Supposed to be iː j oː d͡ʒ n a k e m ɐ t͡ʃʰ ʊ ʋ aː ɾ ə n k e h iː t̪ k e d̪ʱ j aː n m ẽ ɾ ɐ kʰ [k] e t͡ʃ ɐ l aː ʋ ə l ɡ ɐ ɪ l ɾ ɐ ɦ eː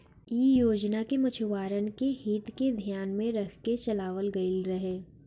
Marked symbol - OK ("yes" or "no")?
yes